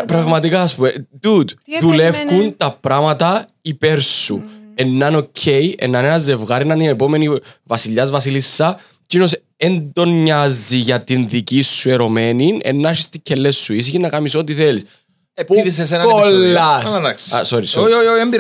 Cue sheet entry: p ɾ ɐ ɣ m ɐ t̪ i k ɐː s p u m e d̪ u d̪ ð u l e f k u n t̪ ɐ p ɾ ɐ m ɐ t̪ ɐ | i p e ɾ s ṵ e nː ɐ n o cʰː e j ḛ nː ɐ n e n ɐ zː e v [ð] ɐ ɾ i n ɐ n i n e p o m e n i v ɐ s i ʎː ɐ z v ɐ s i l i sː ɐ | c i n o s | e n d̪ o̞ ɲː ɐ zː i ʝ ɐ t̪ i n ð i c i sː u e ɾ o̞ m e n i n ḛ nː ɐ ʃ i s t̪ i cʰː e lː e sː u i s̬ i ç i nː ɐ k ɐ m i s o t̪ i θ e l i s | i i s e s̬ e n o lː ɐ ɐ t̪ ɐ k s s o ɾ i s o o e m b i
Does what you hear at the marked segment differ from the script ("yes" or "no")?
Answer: yes